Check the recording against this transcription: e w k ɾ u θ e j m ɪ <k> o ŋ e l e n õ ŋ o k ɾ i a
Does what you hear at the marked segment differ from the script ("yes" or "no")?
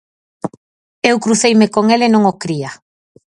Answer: no